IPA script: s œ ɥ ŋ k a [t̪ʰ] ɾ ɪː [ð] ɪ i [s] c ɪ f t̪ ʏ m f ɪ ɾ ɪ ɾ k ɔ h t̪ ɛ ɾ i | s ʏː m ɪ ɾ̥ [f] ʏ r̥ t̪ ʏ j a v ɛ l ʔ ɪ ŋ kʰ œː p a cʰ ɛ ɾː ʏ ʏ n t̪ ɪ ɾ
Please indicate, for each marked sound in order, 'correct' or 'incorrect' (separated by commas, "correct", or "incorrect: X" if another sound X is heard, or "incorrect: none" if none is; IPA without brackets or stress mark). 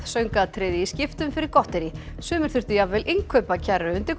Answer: correct, correct, correct, incorrect: θ